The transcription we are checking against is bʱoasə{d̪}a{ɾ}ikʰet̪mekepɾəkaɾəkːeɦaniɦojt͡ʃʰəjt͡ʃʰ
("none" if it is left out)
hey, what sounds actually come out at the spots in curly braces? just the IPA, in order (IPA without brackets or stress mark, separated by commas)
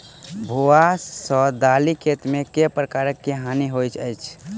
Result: d̪, l